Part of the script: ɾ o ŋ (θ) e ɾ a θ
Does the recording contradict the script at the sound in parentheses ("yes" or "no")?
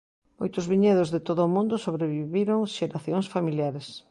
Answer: yes